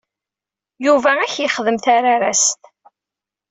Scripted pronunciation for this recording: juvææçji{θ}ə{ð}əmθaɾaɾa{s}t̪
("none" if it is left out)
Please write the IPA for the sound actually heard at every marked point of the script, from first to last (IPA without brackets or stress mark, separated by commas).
χ, ð, s